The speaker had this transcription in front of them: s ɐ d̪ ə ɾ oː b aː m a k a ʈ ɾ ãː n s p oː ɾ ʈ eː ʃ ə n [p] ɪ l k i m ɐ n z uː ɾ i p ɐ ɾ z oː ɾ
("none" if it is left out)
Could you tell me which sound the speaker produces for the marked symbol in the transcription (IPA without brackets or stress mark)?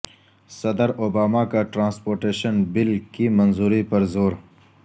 b